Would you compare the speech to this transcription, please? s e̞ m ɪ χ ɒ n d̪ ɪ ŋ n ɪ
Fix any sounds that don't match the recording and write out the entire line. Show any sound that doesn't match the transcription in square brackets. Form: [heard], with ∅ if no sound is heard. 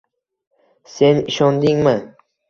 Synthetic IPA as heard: s e̞ [n] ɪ [ʃ] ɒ n d̪ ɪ ŋ [m] ɪ